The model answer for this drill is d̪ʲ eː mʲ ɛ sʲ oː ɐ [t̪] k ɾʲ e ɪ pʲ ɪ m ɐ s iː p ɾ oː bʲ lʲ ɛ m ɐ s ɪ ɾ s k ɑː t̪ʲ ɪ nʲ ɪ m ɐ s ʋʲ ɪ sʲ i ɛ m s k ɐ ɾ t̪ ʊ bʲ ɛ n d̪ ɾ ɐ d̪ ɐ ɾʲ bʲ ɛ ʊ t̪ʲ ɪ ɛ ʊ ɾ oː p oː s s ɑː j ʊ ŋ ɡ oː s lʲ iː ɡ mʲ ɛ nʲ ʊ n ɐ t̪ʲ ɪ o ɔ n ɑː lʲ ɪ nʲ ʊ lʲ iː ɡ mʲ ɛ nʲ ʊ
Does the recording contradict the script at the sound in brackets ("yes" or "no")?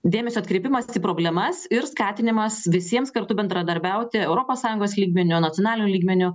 no